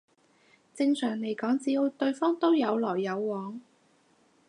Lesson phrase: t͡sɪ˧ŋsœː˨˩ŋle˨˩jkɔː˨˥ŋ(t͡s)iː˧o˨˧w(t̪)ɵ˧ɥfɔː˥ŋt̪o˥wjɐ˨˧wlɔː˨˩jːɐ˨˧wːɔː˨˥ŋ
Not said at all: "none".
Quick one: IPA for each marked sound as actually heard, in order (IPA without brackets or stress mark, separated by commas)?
t͡s, t̪